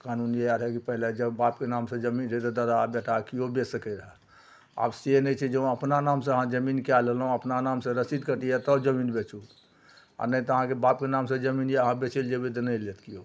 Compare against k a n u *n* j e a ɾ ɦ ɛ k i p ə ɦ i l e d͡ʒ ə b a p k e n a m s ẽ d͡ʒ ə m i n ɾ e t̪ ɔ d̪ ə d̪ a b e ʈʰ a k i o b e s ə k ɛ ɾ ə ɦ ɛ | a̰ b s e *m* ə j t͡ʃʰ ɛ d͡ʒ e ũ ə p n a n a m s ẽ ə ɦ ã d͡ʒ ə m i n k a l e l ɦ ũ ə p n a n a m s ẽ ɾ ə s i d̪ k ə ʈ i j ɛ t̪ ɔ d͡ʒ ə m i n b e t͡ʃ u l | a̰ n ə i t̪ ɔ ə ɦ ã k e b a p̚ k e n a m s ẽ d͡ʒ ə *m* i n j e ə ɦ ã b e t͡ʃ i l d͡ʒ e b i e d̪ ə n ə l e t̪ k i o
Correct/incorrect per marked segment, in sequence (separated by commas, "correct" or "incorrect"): correct, incorrect, correct